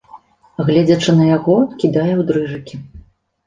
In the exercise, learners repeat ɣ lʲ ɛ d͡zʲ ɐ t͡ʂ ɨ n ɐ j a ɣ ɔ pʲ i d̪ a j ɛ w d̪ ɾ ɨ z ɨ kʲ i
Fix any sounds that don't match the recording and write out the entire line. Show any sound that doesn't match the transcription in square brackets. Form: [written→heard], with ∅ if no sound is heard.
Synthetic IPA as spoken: ɣ lʲ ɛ d͡zʲ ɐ t͡ʂ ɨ n ɐ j a ɣ ɔ [pʲ→kʲ] i d̪ a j ɛ w d̪ ɾ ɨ [z→ʐ] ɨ kʲ i